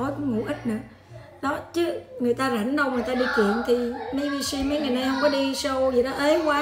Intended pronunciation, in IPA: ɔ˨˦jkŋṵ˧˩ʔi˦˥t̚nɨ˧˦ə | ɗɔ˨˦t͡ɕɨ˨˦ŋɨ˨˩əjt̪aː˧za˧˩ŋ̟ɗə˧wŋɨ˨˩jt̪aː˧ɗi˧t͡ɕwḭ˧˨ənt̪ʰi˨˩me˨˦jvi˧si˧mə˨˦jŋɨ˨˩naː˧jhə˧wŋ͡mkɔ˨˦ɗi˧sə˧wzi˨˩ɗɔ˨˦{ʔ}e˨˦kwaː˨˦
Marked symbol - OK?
yes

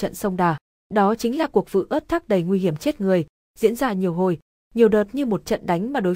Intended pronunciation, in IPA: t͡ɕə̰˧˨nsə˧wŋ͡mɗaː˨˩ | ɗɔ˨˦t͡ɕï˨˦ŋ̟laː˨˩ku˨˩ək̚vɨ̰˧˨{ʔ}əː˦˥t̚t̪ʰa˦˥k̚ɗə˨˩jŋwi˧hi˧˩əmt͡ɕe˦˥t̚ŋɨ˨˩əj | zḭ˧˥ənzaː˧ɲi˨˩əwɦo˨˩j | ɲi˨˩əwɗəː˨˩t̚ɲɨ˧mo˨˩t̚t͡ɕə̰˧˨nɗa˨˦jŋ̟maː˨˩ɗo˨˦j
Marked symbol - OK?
yes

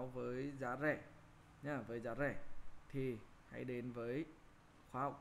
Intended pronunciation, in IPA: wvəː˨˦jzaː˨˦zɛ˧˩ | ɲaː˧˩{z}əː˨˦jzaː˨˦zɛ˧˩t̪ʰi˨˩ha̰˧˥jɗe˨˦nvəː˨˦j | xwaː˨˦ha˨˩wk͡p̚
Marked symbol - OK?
no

